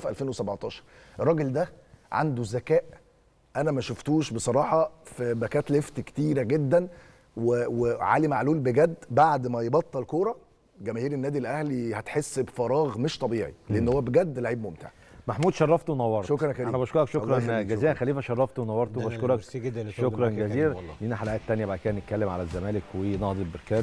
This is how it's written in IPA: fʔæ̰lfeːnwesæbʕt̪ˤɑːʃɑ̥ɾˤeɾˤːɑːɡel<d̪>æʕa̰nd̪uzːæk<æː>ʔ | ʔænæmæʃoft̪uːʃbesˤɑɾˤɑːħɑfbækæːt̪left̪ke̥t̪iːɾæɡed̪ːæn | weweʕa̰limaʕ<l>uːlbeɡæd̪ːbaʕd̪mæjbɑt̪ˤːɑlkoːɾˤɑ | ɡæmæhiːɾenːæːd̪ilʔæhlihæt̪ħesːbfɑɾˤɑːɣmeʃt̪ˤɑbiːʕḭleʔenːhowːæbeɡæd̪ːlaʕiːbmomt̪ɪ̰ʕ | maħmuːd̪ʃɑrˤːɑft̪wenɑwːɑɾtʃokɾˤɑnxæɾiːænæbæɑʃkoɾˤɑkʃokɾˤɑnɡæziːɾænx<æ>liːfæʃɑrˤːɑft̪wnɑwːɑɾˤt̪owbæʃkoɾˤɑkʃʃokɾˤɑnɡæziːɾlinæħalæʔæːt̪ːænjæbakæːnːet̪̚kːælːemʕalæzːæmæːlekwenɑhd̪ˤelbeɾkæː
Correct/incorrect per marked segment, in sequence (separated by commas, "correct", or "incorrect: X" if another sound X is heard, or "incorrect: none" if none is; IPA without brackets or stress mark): correct, correct, correct, correct